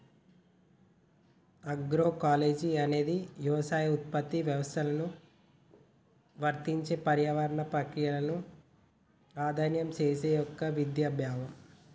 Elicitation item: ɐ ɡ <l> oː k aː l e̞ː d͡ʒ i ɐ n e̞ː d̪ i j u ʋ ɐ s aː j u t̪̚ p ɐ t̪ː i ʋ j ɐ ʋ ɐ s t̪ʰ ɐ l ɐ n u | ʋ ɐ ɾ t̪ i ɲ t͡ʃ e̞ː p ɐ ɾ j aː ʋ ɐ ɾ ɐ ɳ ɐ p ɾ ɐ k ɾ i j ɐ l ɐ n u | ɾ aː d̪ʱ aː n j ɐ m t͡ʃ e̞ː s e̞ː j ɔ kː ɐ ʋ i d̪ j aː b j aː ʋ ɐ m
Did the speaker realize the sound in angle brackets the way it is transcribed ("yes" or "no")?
no